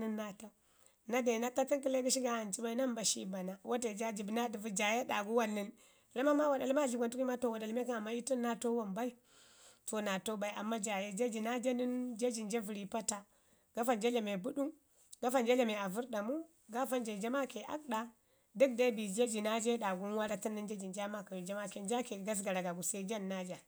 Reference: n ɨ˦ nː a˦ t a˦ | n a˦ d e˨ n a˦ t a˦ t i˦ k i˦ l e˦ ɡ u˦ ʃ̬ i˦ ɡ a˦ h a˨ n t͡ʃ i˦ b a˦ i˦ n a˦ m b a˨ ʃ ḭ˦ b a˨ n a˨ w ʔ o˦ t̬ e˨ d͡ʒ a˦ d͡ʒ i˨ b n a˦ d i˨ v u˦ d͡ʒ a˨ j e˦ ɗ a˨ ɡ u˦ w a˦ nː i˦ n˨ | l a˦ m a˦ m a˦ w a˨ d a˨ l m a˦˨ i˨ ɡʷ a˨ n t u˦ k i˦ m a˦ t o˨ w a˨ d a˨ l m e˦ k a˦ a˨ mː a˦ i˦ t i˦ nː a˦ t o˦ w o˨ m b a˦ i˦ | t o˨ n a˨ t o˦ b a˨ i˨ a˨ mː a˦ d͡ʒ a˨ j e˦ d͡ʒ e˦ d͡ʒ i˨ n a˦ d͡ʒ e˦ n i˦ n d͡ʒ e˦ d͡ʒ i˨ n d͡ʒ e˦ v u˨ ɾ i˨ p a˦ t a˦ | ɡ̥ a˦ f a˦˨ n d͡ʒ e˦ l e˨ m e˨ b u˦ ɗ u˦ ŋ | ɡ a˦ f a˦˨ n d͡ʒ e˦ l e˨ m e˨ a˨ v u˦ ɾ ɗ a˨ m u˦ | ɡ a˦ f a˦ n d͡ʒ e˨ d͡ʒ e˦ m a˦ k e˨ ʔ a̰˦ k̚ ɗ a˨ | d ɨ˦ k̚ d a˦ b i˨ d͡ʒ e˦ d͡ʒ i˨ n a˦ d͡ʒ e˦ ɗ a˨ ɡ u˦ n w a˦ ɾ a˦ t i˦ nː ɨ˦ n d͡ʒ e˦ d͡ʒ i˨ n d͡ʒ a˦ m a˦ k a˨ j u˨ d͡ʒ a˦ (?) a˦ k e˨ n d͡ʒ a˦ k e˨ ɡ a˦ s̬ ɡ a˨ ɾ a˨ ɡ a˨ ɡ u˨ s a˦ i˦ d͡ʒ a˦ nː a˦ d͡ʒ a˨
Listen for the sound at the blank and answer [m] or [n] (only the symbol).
m